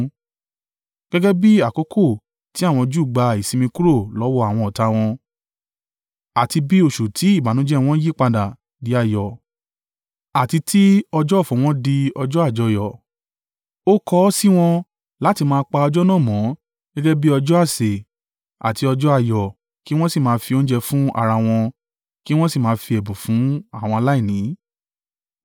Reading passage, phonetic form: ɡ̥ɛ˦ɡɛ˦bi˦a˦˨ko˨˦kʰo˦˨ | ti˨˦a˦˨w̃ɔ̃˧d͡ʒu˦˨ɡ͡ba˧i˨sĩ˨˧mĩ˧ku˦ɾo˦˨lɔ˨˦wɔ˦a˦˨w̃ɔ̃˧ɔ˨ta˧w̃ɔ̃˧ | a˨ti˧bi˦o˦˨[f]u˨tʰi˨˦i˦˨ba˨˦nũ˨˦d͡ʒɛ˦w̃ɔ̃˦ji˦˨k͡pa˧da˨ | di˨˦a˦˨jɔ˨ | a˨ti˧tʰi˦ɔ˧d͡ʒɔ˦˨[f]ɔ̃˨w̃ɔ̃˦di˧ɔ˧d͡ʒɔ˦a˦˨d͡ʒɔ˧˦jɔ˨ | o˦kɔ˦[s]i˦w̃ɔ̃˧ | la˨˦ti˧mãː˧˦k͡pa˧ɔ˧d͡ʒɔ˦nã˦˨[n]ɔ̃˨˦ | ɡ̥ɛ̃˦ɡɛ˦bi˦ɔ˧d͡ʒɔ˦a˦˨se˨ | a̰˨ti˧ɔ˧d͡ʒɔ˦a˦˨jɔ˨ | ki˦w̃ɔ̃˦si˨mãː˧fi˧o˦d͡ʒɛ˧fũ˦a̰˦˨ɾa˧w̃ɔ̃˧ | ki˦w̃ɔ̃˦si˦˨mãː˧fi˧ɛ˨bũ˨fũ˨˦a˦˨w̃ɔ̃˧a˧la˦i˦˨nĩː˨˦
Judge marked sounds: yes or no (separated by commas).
no, yes, yes, no